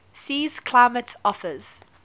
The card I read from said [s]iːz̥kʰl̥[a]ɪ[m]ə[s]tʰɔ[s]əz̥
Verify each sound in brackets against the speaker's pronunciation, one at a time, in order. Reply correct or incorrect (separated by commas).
correct, correct, correct, incorrect, incorrect